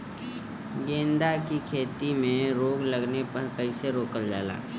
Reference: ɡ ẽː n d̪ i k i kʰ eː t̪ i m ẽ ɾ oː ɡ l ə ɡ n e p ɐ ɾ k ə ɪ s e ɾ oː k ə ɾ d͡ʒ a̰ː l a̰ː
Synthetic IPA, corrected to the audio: ɡ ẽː n d̪ a k i kʰ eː t̪ i m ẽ ɾ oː ɡ l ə ɡ n e p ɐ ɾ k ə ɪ s e ɾ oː k ə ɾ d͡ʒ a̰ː l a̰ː

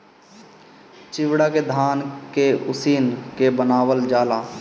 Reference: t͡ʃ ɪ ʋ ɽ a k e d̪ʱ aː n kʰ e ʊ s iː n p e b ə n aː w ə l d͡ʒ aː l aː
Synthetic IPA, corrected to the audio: t͡ʃ ɪ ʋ ɽ a k e d̪ʱ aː n k e ʊ s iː n k e b ə n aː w ə l d͡ʒ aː l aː

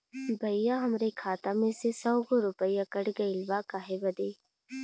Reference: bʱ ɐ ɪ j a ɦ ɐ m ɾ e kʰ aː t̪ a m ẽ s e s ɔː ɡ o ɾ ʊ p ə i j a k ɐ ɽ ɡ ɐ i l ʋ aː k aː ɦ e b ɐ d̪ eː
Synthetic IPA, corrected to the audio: bʱ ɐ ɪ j a ɦ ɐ m ɾ e kʰ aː t̪ a m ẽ s e s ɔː ɡ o ɾ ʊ p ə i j a k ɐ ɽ ɡ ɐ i l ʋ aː k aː ɦ e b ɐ d̪ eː

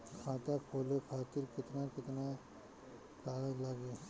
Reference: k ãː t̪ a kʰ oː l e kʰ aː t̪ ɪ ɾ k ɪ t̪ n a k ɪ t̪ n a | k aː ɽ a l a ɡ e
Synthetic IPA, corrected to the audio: kʰ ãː t̪ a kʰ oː l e kʰ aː t̪ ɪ ɾ k ɪ t̪ n a k ɪ t̪ n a | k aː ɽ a l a ɡ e

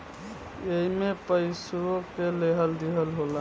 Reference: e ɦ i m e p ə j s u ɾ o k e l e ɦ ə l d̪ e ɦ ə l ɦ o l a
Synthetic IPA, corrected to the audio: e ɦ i m e p ə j s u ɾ o k e l e ɦ ə l d̪ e ɦ ə l ɦ o l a

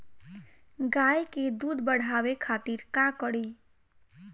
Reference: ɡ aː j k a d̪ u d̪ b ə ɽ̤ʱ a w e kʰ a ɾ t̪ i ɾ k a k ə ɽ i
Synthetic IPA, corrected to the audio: ɡ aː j k e d̪ u d̪ b ə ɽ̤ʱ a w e kʰ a t̪ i ɾ k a k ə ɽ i

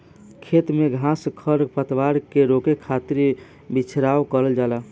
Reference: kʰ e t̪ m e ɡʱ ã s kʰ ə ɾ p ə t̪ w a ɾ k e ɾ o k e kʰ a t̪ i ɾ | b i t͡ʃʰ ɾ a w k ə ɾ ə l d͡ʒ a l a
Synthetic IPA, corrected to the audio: kʰ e t̪ m e ɡʱ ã s kʰ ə ɾ p ə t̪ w a ɾ k e ɾ o k e kʰ a t̪ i ɾ | b i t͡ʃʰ ɾ a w k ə ɾ ə l d͡ʒ a l a

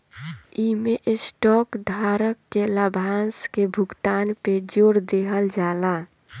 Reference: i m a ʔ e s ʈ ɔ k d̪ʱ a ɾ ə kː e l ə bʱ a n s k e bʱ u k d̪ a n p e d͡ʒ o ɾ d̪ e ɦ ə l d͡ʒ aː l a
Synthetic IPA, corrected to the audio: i m e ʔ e s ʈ ɔ k d̪ʱ a ɾ ə kː e l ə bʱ a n s k e bʱ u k t̪ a n p e d͡ʒ o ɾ d̪ e ɦ ə l d͡ʒ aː l a

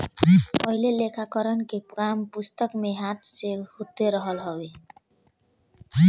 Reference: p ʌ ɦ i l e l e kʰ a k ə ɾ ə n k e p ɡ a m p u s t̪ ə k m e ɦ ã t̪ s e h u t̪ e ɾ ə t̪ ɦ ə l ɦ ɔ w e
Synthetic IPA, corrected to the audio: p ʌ ɦ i l e l e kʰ a k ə ɾ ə n k e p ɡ a m p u s t̪ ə k m e ɦ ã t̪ s e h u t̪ e ɾ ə ɦ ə l ɦ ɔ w e

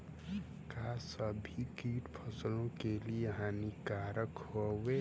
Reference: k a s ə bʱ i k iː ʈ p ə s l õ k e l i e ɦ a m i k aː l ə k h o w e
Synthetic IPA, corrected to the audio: k a s ə bʱ i k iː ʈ pʰ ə s l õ k e l i e ɦ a n i k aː ɾ ə k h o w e

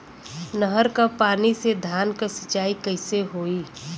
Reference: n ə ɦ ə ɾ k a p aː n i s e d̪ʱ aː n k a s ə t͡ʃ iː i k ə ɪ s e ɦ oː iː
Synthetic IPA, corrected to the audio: n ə ɦ ə ɾ k a p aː n i s e d̪ʱ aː n k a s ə t͡ʃ aː i k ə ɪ s e ɦ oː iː

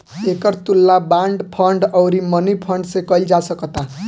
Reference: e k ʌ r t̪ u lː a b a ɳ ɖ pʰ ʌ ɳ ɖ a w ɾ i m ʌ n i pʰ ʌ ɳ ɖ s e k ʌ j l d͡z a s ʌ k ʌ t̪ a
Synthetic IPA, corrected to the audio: e k ʌ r t̪ u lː a b a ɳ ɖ pʰ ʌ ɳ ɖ ʌ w ɾ i m ʌ n i pʰ ʌ ɳ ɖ s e k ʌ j l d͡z a s ʌ k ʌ t̪ a

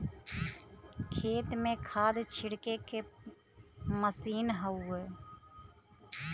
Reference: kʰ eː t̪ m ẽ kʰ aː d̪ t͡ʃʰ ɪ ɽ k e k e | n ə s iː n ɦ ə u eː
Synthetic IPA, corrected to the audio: kʰ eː t̪ m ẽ kʰ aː d̪ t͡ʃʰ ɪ ɽ k e k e | m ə s iː n ɦ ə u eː

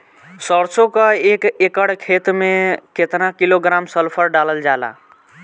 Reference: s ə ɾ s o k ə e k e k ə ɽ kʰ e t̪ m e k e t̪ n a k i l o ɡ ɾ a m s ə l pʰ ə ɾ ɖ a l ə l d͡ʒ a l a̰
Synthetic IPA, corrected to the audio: s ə ɾ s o k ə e k e k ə ɽ kʰ e t̪ m e k e t̪ n a k i l o ɡ ɾ a m s ə l pʰ ə ɾ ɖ a l ə l d͡ʒ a l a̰

